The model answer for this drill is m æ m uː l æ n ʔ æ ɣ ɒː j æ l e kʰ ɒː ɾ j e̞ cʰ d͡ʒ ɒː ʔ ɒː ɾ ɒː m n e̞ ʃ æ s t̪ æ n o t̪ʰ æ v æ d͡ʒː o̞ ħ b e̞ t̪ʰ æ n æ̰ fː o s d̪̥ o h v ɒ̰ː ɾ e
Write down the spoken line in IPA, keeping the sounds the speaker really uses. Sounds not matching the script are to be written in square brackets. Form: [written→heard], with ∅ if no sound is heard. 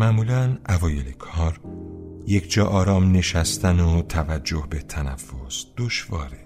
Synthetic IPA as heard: m æ m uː l æ n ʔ æ [ɣ→v] ɒː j [æ→e] l e kʰ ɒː ɾ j e̞ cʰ d͡ʒ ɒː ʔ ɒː ɾ ɒː m n e̞ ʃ æ s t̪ æ n o t̪ʰ æ v æ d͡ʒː o̞ [ħ→h] b e̞ t̪ʰ æ n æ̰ fː o s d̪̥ o [h→ʃ] v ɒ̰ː ɾ e